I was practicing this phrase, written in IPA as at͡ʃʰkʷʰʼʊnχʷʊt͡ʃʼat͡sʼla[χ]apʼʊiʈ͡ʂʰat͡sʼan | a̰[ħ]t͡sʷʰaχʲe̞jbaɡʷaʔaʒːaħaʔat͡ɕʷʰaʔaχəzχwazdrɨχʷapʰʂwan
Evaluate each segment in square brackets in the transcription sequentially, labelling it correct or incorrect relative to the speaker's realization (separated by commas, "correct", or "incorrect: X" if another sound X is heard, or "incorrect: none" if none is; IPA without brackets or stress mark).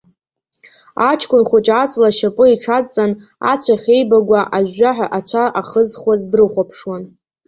incorrect: ʃ, incorrect: none